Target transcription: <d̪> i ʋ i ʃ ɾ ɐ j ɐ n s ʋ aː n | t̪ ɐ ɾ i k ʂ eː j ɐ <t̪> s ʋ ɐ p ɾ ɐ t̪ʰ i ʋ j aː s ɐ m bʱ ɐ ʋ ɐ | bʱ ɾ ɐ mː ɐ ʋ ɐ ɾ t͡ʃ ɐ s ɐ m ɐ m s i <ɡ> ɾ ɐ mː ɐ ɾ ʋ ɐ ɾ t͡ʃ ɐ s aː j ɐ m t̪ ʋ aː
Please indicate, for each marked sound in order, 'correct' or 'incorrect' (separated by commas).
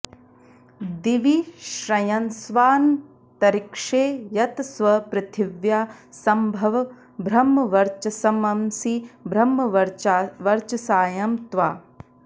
correct, correct, incorrect